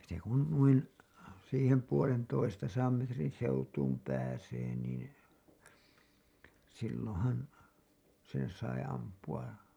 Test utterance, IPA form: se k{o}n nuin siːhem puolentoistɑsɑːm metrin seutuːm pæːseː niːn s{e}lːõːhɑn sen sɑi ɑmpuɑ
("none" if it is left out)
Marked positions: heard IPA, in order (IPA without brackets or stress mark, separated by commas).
u, i